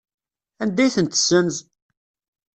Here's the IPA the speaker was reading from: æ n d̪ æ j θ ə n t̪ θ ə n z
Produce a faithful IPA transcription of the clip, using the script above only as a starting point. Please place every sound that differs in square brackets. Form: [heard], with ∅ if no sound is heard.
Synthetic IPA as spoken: æ n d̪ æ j θ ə n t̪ [s] ə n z